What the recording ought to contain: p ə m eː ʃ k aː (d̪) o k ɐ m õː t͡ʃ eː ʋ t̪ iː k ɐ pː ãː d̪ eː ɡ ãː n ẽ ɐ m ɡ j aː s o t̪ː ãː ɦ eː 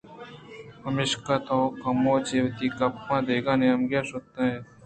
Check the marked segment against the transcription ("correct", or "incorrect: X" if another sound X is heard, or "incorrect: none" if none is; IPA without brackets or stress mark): incorrect: t̪